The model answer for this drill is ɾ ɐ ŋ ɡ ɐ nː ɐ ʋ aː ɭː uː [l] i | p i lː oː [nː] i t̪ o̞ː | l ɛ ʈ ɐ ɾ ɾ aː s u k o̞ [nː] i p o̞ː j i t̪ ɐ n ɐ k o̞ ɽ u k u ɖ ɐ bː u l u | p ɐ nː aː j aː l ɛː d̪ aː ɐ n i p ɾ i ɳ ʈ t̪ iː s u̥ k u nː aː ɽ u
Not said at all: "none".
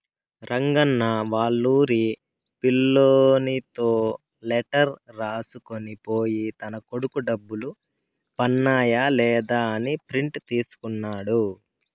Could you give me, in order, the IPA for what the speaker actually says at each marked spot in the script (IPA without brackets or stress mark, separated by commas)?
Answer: ɾ, n, n